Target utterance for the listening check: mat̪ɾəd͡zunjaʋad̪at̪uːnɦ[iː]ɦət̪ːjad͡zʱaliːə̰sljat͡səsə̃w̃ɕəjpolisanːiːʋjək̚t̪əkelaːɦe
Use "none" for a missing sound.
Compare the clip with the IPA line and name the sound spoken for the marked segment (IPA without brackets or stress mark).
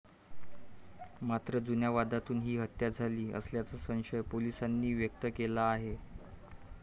iː